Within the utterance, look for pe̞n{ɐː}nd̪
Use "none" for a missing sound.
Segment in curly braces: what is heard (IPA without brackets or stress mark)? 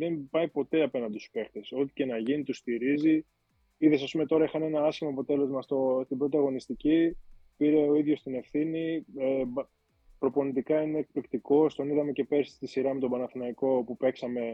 ɐ